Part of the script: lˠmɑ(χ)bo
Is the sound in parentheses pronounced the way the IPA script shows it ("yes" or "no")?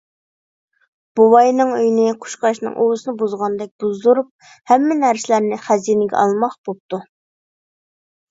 yes